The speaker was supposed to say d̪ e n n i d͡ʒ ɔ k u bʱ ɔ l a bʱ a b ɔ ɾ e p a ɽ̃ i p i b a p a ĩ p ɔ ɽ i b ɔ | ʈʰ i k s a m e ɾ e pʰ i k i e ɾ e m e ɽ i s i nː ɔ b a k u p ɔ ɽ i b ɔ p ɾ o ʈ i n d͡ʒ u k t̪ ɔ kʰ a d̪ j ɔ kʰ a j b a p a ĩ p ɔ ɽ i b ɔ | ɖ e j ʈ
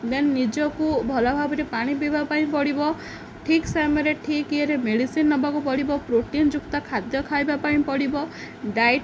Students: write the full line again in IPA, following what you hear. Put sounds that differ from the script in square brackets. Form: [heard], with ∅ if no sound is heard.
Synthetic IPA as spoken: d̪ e n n i d͡ʒ ɔ k u bʱ ɔ l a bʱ a b ɔ ɾ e p a ɽ̃ i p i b a p a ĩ p ɔ ɽ i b ɔ | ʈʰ i k s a m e ɾ e [ʈʰ] i k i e ɾ e m e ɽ i s i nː ɔ b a k u p ɔ ɽ i b ɔ p ɾ o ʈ i n d͡ʒ u k t̪ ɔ kʰ a d̪ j ɔ kʰ a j b a p a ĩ p ɔ ɽ i b ɔ | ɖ [a] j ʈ